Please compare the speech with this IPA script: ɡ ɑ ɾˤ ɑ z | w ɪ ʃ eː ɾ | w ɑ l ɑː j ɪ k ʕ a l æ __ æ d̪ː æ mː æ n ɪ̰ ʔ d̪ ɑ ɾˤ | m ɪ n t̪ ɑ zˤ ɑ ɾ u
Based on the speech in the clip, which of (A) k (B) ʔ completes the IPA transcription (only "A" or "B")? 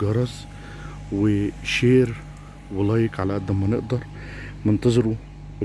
B